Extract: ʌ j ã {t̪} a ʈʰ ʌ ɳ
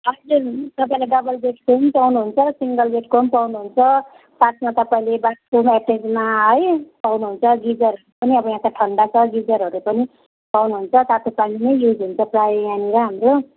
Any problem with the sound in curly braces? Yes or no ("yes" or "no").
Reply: no